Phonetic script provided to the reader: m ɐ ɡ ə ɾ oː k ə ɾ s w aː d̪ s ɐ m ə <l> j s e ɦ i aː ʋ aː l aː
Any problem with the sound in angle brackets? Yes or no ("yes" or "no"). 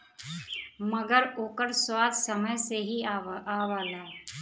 yes